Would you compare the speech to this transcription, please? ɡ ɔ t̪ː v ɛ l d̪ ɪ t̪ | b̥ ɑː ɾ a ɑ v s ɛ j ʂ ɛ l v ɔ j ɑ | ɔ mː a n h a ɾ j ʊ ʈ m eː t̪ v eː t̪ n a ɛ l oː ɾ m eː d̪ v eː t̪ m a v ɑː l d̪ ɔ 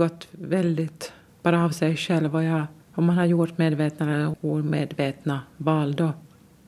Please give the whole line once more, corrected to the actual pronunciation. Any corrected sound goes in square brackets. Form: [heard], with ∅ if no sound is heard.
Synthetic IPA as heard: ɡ ɔ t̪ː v ɛ l d̪ ɪ t̪ | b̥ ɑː ɾ a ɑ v s ɛ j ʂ ɛ l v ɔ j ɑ | ɔ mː a n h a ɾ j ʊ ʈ m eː [d̪] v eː t̪ n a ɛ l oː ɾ m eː d̪ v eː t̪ [n] a v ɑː l d̪ ɔ